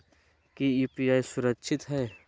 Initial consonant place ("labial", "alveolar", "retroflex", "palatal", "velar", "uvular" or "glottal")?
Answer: velar